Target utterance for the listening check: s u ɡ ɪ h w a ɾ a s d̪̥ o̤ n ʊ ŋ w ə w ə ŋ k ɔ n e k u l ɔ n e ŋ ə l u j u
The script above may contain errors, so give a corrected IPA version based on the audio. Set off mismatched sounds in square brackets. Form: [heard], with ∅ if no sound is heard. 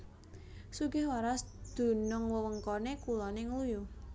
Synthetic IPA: s u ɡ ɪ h w a ɾ a s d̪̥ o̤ n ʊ ŋ w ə w ə ŋ k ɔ n e k u l ɔ n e ŋ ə l u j u